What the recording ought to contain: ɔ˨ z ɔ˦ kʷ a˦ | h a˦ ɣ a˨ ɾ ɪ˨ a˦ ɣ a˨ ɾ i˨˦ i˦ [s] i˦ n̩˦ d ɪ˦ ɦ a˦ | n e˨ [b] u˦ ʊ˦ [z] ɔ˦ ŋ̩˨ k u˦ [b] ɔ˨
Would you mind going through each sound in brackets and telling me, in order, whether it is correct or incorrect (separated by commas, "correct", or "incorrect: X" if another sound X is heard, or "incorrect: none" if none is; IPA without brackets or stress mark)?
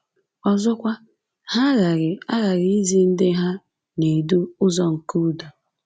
incorrect: z, incorrect: d, correct, incorrect: d